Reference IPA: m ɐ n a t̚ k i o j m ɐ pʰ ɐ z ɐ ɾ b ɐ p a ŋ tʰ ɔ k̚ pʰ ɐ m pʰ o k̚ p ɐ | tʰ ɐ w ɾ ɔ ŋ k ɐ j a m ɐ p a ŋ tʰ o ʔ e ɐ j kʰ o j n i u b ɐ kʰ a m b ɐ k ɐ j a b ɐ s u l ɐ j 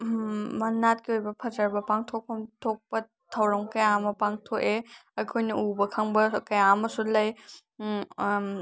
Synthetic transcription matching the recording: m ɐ n a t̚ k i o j b ɐ pʰ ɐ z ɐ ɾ b ɐ p a ŋ tʰ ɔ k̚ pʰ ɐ m tʰ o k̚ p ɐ | tʰ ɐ w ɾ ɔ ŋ k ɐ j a m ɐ p a ŋ tʰ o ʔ e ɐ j kʰ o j n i u b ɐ kʰ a ŋ b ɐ k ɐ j a m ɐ s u l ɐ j